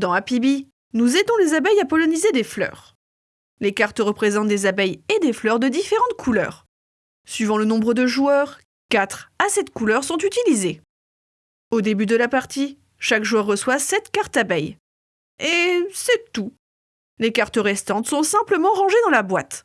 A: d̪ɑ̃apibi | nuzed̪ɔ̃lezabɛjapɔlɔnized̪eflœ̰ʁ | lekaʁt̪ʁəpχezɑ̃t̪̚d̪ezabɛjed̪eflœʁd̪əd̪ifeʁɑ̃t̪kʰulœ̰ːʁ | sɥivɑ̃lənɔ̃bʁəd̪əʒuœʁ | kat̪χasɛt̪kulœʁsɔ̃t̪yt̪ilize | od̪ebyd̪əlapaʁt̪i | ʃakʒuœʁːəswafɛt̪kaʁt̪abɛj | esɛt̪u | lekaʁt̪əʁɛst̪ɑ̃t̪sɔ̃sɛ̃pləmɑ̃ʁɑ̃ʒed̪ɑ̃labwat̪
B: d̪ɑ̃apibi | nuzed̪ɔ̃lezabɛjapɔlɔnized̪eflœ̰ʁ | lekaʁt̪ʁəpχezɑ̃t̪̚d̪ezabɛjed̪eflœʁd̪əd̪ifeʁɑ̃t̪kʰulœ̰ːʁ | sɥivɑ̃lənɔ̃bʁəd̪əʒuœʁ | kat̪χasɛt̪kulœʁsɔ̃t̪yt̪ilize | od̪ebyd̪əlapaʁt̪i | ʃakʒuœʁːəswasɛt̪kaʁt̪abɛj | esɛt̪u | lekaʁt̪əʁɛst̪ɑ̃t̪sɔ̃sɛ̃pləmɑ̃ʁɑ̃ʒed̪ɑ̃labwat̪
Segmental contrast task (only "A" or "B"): B